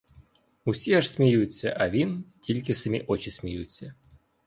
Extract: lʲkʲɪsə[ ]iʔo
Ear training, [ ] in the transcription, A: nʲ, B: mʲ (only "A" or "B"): B